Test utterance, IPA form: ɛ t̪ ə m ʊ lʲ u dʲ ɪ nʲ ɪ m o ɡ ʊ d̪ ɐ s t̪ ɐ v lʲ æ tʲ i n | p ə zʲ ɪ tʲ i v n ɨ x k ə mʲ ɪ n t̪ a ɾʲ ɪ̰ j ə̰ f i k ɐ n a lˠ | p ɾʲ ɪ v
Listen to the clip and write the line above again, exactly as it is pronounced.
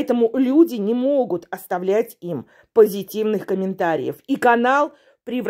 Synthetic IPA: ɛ t̪ ə m ʊ lʲ u dʲ ɪ nʲ ɪ m o ɡ ʊ t̪ ɐ s t̪ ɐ v lʲ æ tʲ i m | p ə zʲ ɪ tʲ i v n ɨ x k ə mʲ ɪ n t̪ a ɾʲ ɪ̰ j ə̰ f i k ɐ n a lˠ | p ɾʲ ɪ v